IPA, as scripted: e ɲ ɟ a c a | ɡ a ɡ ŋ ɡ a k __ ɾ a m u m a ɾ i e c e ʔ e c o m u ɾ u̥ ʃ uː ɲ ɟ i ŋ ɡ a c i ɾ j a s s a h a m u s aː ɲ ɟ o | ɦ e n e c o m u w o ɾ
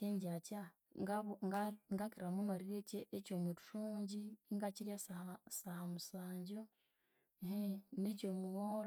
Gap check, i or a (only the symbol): i